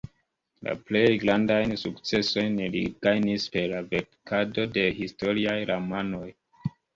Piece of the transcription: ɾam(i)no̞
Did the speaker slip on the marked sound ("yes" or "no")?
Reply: yes